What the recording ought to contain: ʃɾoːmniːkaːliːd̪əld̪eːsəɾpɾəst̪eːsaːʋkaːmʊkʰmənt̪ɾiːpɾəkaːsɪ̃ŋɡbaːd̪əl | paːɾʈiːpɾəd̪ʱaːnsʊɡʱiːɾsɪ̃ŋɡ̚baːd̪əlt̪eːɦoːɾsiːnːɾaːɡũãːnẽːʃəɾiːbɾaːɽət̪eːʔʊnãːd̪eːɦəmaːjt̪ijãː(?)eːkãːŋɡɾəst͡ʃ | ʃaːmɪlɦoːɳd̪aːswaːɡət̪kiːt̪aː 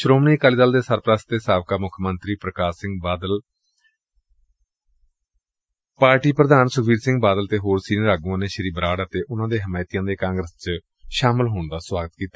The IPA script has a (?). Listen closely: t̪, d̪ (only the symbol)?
d̪